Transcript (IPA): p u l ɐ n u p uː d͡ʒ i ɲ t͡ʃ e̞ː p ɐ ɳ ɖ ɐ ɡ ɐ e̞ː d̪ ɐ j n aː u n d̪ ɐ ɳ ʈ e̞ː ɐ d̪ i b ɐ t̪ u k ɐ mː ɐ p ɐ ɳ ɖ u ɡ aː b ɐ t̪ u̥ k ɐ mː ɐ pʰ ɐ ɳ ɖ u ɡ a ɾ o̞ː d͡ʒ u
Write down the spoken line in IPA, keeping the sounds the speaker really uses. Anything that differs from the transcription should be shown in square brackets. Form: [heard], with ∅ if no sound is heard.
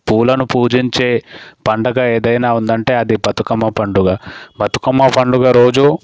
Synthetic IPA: p [uː] l ɐ n u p uː d͡ʒ i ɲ t͡ʃ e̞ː p ɐ ɳ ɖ ɐ ɡ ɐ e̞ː d̪ ɐ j n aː u n d̪ ɐ ɳ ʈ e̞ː ɐ d̪ i b ɐ t̪ u k ɐ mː ɐ p ɐ ɳ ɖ u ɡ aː b ɐ t̪ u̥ k ɐ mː ɐ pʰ ɐ ɳ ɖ u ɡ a ɾ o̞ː d͡ʒ u